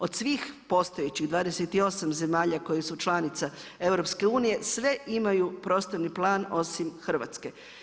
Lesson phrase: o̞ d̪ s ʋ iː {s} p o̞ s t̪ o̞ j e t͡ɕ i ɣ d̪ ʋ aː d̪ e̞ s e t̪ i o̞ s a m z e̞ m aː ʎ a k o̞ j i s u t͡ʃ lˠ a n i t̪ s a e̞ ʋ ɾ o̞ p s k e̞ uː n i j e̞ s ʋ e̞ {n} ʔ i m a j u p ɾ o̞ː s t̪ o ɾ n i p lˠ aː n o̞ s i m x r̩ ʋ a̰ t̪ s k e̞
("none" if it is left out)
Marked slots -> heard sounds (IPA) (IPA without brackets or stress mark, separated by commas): x, none